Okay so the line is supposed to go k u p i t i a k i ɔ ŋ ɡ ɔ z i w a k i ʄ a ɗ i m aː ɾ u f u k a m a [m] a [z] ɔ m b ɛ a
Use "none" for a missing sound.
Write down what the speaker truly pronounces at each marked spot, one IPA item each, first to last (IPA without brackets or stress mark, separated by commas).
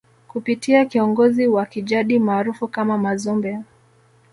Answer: m, z